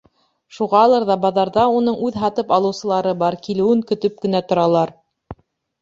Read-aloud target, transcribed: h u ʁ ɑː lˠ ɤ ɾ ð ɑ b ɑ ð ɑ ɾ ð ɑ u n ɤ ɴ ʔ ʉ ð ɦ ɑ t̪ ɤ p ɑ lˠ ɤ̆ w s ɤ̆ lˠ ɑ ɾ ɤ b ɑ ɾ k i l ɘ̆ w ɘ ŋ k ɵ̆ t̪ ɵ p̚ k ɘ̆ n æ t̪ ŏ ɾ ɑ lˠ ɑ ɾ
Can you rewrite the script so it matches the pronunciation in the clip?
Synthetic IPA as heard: ʃ u ʁ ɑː lˠ ɤ ɾ ð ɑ b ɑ ð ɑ ɾ ð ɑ u n ɤ ɴ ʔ ʉ ð ɦ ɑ t̪ ɤ p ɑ lˠ ɤ̆ w s ɤ̆ lˠ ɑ ɾ ɤ b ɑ ɾ k i l ɘ̆ w ɘ ŋ k ɵ̆ t̪ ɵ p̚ k ɘ̆ n æ t̪ ŏ ɾ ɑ lˠ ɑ ɾ